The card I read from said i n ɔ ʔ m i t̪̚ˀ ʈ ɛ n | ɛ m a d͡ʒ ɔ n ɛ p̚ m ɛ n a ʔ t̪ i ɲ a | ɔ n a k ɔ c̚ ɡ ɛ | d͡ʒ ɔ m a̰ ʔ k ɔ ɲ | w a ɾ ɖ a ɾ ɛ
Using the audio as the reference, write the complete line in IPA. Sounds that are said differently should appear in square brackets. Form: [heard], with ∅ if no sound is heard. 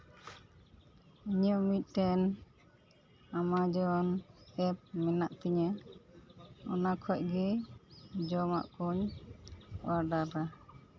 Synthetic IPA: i [ɲ] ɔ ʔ m i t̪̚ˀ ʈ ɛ n | [a] m a d͡ʒ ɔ n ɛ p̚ m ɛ n a ʔ t̪ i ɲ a | ɔ n a [kʰ] ɔ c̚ ɡ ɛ | d͡ʒ ɔ m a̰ ʔ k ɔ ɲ | w a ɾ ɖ a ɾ [a]